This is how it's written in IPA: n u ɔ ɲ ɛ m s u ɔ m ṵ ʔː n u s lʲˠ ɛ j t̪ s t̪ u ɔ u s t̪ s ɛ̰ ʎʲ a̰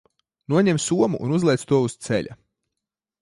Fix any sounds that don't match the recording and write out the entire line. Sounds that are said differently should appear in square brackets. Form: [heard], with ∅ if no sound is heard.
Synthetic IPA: n u ɔ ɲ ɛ m s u ɔ m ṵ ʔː n u [z] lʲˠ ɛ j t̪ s t̪ u ɔ u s t̪ s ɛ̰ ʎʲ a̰